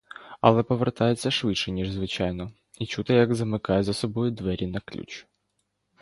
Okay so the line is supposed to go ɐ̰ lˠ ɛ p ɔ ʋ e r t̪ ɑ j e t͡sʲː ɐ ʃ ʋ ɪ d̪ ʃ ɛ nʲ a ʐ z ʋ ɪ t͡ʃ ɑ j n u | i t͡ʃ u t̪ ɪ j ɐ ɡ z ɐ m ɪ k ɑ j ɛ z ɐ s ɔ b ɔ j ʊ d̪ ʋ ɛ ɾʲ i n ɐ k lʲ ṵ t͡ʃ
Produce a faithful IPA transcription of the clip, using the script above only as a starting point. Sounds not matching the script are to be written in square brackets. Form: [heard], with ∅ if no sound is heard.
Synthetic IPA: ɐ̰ lˠ ɛ p ɔ ʋ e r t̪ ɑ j e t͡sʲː ɐ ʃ ʋ ɪ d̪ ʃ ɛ nʲ [i] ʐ z ʋ ɪ t͡ʃ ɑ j n [ɔ] | i t͡ʃ u t̪ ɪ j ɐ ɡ z ɐ m ɪ k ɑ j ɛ z ɐ s ɔ b ɔ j ʊ d̪ ʋ ɛ ɾʲ i n ɐ k lʲ ṵ t͡ʃ